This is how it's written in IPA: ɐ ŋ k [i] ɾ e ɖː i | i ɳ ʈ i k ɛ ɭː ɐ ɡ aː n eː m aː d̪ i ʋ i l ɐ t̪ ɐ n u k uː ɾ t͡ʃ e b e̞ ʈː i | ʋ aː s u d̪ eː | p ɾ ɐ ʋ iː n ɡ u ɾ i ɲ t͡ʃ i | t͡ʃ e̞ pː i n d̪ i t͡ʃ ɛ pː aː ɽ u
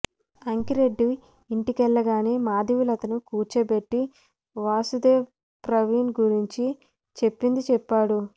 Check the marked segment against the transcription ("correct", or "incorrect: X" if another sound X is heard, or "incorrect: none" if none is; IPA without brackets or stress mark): correct